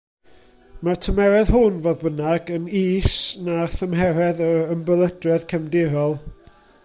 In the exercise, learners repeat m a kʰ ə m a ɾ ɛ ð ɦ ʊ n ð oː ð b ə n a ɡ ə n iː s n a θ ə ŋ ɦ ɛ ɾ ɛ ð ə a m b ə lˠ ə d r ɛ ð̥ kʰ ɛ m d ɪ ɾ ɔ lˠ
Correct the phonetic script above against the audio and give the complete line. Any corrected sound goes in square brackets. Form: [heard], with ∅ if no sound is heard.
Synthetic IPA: m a [tʰ] ə m [ɛ] ɾ ɛ ð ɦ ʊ n [v] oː ð b ə n a ɡ ə n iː s n a θ ə [m] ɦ ɛ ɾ ɛ ð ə [ə] m b ə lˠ ə d r ɛ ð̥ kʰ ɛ m d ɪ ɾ ɔ lˠ